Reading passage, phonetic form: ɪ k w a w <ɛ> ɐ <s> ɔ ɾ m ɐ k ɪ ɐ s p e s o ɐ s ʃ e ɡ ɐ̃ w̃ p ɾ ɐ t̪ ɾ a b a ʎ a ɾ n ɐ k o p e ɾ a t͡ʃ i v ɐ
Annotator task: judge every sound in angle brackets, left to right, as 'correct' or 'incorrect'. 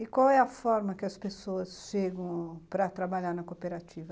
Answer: correct, incorrect

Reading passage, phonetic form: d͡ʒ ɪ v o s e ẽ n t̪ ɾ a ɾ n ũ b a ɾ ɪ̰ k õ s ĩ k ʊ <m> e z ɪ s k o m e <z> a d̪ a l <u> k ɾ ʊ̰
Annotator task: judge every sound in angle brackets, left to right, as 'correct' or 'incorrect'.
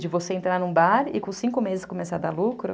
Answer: correct, incorrect, correct

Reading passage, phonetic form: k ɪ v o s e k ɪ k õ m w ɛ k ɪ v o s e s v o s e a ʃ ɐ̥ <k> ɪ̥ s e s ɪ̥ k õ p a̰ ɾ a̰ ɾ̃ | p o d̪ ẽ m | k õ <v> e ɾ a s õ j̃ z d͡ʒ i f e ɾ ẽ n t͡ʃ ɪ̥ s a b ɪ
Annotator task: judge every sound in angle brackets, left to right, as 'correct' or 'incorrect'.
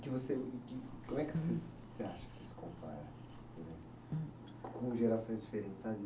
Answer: correct, incorrect

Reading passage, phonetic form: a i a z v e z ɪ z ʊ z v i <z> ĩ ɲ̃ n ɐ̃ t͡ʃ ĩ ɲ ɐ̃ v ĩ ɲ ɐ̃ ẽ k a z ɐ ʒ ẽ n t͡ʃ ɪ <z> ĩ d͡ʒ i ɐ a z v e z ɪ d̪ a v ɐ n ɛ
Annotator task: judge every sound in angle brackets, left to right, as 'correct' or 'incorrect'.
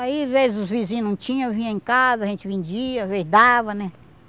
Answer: correct, incorrect

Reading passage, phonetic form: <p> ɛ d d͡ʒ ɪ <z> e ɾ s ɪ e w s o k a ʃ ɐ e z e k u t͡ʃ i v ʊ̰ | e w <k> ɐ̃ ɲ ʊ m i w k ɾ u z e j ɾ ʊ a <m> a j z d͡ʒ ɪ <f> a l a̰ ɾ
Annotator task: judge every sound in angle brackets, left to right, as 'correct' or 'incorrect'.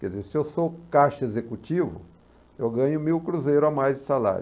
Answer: incorrect, correct, incorrect, correct, incorrect

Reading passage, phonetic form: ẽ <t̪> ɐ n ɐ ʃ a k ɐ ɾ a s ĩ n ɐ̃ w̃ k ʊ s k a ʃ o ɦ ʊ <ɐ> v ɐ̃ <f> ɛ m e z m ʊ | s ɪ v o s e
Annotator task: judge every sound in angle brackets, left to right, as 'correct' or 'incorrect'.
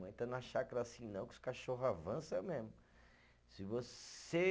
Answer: correct, incorrect, incorrect

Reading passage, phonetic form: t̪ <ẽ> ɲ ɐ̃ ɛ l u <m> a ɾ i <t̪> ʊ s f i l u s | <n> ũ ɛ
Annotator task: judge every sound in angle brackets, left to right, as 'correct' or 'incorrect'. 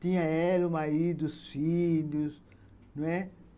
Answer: incorrect, correct, incorrect, correct

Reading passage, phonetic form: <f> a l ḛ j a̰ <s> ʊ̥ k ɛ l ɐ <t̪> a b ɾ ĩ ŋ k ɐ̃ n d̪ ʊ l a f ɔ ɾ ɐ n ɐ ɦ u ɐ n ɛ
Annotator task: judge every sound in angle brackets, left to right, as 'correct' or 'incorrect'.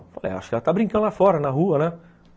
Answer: correct, incorrect, correct

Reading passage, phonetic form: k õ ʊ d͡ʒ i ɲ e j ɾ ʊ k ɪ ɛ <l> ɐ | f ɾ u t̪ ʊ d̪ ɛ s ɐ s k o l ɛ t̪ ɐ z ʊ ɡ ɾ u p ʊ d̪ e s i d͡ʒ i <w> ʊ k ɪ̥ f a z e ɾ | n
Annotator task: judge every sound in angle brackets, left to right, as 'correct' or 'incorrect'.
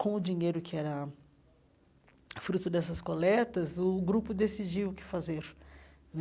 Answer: incorrect, correct

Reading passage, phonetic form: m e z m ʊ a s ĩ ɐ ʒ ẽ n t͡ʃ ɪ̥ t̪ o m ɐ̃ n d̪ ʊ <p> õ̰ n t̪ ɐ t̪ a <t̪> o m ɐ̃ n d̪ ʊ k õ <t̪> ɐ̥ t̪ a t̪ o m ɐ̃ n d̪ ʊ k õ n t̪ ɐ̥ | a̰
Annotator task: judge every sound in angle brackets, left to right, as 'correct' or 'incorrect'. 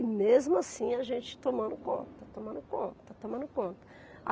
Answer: incorrect, correct, correct

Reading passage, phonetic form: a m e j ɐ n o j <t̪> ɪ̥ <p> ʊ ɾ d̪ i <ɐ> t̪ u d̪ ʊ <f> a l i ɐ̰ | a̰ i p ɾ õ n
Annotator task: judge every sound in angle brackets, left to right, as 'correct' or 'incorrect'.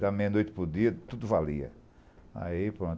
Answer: correct, correct, correct, incorrect

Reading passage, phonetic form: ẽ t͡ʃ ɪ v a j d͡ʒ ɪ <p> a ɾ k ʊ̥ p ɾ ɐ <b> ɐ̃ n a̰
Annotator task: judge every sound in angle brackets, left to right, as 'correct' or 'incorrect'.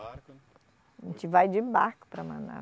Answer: incorrect, incorrect

